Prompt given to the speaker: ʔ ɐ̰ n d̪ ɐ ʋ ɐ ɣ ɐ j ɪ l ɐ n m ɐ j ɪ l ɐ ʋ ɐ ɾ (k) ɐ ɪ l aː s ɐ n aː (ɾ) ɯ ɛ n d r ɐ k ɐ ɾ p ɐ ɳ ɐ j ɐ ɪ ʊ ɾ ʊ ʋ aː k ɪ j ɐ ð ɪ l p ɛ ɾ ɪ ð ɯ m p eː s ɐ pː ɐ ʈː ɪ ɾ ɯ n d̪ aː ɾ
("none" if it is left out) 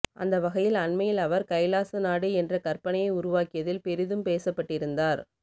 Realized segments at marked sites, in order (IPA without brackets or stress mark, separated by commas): k, ɽ